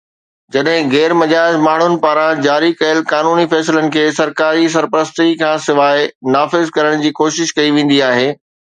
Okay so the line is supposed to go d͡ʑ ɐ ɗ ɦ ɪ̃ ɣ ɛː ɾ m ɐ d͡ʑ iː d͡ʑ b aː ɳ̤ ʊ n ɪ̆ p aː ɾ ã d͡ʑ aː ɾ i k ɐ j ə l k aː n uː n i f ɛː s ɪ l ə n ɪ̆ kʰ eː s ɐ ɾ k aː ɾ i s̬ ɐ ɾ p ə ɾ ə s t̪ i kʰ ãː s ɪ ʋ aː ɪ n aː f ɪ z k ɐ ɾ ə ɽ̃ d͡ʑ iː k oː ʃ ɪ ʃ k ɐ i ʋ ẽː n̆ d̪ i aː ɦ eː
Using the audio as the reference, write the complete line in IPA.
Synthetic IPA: d͡ʑ ɐ ɗ ɦ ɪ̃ ɣ ɛː ɾ m ɐ d͡ʑ aː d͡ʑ m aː ɳ̤ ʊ n ɪ̆ p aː ɾ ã d͡ʑ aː ɾ i k ɐ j ə l k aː n uː n i f ɛː s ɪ l ə n ɪ̆ kʰ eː s ɐ ɾ k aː ɾ i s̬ ɐ ɾ p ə ɾ ə s t̪ i kʰ ãː s ɪ ʋ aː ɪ n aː f ɪ z k ɐ ɾ ə ɽ̃ d͡ʑ iː k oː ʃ ɪ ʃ k ɐ i ʋ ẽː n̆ d̪ i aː ɦ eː

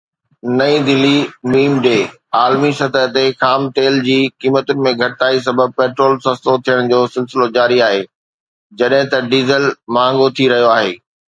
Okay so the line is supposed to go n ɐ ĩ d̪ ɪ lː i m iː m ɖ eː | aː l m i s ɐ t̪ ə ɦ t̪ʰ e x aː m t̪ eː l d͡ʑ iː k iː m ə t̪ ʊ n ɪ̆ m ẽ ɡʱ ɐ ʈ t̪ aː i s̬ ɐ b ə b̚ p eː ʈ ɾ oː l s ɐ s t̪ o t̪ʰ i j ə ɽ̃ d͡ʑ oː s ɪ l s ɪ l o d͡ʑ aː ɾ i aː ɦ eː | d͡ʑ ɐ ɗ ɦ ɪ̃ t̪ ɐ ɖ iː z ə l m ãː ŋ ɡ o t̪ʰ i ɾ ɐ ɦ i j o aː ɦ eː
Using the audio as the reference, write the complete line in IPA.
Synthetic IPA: n ɐ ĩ d̪ ɪ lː i m iː m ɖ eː | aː l m i s ɐ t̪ ə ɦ t̪ e x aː m t̪ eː l d͡ʑ iː k iː m ə t̪ ʊ n ɪ̆ m ẽ ɡʱ ɐ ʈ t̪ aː i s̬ ɐ b ə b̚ p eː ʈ ɾ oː l s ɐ s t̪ o t̪ʰ i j ə ɽ̃ d͡ʑ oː s ɪ l s ɪ l o d͡ʑ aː ɾ i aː ɦ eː | d͡ʑ ɐ ɗ ɦ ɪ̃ t̪ ɐ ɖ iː z ə l m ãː ŋ ɡ o t̪ʰ i ɾ ɐ ɦ i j o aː ɦ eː

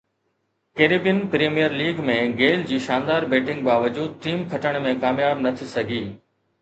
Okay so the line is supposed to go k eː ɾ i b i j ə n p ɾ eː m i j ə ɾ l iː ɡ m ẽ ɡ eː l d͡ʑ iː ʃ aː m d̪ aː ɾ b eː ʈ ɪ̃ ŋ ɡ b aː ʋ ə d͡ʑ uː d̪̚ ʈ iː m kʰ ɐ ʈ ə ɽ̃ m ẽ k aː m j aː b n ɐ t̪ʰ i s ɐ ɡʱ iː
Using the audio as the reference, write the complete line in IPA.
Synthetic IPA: k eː ɾ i b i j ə n p ɾ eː m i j ə ɾ l iː ɡ m ẽ ɡ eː l d͡ʑ iː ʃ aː n d̪ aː ɾ b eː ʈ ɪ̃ ŋ ɡ b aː ʋ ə d͡ʑ uː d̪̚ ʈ iː m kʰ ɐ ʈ ə ɽ̃ m ẽ k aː m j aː b n ɐ t̪ʰ i s ɐ ɡʱ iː

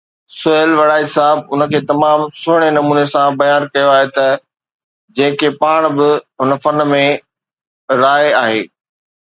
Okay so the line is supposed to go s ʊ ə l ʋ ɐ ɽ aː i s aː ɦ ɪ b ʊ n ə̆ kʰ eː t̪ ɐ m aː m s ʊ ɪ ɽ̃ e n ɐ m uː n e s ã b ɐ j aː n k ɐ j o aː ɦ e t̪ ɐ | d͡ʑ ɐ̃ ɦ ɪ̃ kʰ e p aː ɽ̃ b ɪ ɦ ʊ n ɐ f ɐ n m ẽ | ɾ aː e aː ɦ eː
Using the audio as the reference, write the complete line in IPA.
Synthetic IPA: s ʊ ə l ʋ ɐ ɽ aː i s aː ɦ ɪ b ʊ n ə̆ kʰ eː t̪ ɐ m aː m s ʊ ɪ ɽ̃ e n ɐ m uː n e s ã b ɐ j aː n k ɐ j o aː ɦ e t̪ ɐ | d͡ʑ ɐ̃ ɦ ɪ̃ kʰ e p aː ɽ̃ b ɪ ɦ ʊ n ə f ɐ n m ẽ | ɾ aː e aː ɦ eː

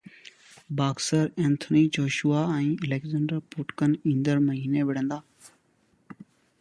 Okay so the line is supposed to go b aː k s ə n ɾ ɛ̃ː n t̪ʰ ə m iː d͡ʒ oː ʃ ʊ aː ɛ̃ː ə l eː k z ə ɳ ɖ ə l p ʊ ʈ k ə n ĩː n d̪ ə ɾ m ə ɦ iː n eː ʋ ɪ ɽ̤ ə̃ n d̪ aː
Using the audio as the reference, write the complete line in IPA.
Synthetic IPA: b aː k s ə ɾ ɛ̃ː n t̪ʰ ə n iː d͡ʒ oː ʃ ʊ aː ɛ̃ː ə l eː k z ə ɳ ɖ ə ɾ p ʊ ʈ k ə n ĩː n d̪ ə ɾ m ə ɦ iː n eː ʋ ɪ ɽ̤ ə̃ n d̪ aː

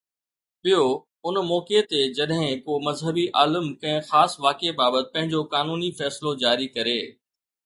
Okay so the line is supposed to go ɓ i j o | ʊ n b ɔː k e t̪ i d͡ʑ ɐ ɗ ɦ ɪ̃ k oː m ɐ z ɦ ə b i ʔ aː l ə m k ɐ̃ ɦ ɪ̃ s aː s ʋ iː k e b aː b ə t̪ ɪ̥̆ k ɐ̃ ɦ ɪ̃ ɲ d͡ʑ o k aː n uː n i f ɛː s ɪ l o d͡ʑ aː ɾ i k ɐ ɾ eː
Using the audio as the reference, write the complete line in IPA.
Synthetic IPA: ɓ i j o | ʊ n m ɔː k e t̪ e d͡ʑ ɐ ɗ ɦ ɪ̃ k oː m ɐ z ɦ ə b i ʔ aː l ə m k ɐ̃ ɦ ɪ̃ x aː s ʋ aː k e b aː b ə t̪ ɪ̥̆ p ɐ̃ ɦ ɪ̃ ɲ d͡ʑ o k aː n uː n i f ɛː s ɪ l o d͡ʑ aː ɾ i k ɐ ɾ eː

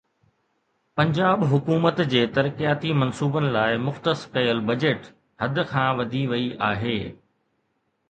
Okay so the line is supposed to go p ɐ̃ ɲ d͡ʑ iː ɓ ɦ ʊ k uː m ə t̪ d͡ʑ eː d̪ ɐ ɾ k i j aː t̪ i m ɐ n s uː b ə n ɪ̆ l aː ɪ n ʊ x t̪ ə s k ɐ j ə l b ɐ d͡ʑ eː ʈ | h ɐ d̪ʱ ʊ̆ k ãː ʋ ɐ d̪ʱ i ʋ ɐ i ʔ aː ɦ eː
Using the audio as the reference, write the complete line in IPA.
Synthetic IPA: p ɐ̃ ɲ d͡ʑ aː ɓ ɦ ʊ k uː m ə t̪ d͡ʑ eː t̪ ɐ ɾ k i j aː t̪ i m ɐ n s uː b ə n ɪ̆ l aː ɪ m ʊ x t̪ ə s k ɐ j ə l b ɐ d͡ʑ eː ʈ | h ɐ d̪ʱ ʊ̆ kʰ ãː ʋ ɐ d̪ʱ i ʋ ɐ i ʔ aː ɦ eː

